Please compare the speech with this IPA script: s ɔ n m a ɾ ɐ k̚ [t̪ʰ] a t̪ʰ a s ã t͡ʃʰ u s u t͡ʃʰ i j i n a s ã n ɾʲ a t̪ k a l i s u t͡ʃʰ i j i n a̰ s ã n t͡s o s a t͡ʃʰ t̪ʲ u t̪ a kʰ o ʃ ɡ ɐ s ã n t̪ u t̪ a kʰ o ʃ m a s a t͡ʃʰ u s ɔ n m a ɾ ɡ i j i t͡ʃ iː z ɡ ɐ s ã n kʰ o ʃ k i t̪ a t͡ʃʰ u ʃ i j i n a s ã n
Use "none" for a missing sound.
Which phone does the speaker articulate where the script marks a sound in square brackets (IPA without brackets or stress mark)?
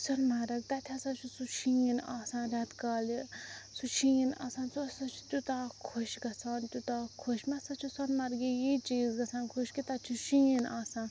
t̪